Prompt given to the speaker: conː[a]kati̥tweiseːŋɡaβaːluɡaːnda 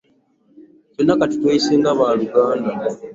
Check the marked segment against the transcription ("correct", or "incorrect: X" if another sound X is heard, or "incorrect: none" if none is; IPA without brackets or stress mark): correct